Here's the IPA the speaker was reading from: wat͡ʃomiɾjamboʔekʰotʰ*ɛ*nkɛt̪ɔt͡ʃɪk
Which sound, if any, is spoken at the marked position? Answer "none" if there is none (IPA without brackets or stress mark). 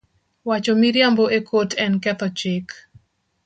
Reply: ɛ